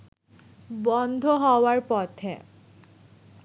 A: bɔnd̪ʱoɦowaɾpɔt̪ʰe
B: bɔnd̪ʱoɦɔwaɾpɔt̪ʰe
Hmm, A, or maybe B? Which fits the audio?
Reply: B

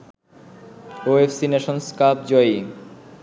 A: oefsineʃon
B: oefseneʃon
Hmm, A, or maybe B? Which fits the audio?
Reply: A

